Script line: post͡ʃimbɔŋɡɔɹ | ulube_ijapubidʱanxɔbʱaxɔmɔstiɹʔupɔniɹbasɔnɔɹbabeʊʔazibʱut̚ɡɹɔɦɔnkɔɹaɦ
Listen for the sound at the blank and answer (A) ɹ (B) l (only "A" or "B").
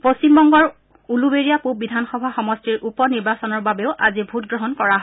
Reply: A